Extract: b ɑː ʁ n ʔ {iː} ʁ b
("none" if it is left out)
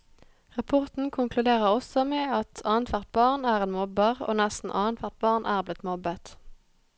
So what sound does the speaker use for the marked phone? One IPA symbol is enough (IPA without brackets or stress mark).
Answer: æː